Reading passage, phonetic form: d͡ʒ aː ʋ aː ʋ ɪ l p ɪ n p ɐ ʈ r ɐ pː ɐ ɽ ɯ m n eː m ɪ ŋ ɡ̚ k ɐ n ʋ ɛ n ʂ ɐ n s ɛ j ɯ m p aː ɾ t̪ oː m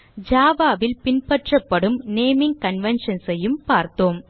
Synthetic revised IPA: d͡ʒ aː ʋ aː ʋ ɪ l p ɪ n p ɐ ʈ r ɐ pː ɐ ɽ ɯ m n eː m ɪ ŋ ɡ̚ k ɐ n ʋ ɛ n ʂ ɐ n s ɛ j ɯ m p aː ɾ t̪ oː m